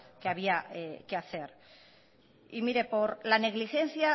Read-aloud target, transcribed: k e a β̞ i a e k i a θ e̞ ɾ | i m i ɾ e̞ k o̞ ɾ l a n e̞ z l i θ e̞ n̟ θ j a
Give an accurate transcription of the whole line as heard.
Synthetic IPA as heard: k e a β̞ i a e k e a θ e̞ ɾ | i m i ɾ e̞ p o̞ ɾ l a n e̞ ɣ l i x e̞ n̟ θ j a